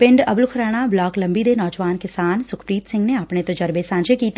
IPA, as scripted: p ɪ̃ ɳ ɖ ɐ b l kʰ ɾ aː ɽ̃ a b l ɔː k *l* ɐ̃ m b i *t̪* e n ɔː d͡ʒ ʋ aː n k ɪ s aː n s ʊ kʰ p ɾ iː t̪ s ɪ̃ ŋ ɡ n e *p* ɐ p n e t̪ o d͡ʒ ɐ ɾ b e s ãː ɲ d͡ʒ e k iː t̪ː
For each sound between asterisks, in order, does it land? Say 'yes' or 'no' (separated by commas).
yes, no, no